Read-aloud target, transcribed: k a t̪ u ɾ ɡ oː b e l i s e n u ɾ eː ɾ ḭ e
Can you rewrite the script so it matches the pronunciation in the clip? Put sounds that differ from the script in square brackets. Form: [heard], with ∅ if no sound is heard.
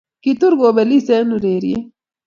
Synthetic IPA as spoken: k [i] t̪ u ɾ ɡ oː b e l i s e n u ɾ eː ɾ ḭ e

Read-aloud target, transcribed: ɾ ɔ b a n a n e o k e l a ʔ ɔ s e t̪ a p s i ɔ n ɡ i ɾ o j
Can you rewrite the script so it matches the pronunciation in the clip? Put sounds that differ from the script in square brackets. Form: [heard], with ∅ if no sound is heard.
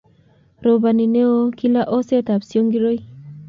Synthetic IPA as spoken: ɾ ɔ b a n [i] n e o k [i] l a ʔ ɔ s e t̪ a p s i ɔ [ŋ] ɡ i ɾ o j

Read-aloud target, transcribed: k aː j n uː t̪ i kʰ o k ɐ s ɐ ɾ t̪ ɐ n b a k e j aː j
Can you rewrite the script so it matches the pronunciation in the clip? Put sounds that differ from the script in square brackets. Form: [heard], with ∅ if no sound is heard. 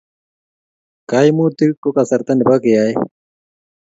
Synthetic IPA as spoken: k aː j [m] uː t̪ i [k] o k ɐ s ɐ ɾ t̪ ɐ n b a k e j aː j

